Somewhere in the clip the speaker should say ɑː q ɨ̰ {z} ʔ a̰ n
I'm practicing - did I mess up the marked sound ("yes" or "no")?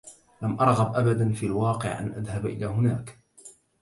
yes